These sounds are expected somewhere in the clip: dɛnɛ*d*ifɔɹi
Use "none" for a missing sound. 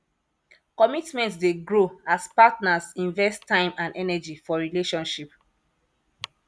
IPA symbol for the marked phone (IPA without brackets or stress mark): d͡ʒ